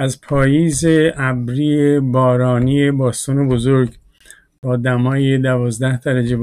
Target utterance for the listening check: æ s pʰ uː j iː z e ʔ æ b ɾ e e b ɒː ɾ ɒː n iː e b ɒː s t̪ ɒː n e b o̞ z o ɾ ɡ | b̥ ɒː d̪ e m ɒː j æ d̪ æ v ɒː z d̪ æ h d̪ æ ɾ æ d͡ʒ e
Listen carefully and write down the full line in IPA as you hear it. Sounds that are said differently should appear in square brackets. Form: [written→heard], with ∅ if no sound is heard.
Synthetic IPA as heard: æ [s→z] pʰ [uː→ɒː] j iː z e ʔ æ b ɾ [e→i] e b ɒː ɾ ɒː n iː e b ɒː s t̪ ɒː n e b o̞ z o ɾ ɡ | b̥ ɒː d̪ [e→æ] m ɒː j [æ→e] d̪ æ v ɒː z d̪ æ h d̪ æ ɾ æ d͡ʒ e